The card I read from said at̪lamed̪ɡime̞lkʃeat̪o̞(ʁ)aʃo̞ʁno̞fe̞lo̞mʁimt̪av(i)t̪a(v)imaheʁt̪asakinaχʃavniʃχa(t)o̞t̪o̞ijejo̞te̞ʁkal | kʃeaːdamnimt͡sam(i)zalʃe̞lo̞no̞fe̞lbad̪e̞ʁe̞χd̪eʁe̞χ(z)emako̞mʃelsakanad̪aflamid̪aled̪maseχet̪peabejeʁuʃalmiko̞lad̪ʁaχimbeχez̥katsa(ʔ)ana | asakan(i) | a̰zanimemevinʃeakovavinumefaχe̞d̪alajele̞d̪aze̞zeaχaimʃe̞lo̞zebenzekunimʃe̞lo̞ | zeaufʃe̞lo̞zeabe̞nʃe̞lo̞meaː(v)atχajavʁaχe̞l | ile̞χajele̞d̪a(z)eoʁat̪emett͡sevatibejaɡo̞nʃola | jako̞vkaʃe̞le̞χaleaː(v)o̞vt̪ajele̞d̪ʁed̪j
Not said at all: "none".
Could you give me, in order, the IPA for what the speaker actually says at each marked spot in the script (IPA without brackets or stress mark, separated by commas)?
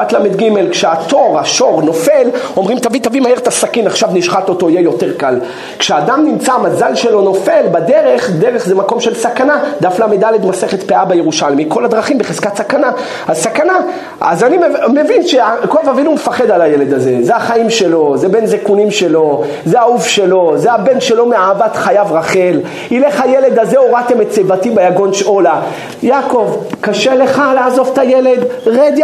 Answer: ʁ, i, v, t, a, z, k, a, v, z, z